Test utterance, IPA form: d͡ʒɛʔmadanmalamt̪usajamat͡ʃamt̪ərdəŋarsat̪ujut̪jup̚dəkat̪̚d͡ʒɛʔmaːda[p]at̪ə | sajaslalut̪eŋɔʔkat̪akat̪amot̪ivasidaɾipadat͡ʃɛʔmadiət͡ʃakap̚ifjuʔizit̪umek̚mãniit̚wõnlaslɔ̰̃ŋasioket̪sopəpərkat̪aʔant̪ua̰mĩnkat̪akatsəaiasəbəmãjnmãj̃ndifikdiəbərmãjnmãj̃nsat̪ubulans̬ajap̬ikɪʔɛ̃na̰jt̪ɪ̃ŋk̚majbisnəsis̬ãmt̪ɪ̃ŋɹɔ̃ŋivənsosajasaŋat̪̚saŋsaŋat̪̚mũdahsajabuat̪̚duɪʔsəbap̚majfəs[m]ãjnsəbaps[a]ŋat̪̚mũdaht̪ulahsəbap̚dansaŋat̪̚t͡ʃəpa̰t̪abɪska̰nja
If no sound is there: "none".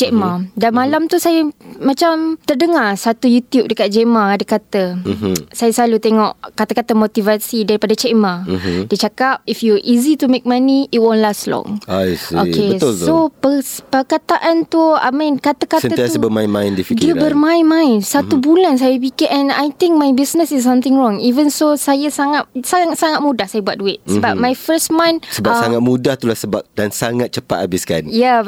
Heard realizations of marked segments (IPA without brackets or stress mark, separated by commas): k, m, a